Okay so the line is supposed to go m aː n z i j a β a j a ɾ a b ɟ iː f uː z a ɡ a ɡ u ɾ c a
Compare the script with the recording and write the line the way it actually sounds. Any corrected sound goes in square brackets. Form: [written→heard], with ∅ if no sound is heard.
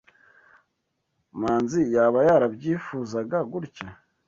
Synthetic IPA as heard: m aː n z i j a β a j a ɾ a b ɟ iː f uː z a ɡ a ɡ u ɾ c a